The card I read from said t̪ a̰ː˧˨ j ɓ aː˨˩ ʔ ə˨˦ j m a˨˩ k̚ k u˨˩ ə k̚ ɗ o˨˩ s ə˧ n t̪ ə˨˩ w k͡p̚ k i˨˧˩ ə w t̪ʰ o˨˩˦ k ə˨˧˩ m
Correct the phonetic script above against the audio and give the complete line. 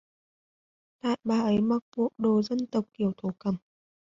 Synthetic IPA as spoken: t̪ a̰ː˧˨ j ɓ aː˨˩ ʔ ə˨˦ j m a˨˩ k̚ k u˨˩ ə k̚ ɗ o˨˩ z ə˧ n t̪ ə˨˩ w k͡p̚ k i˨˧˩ ə w t̪ʰ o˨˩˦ k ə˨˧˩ m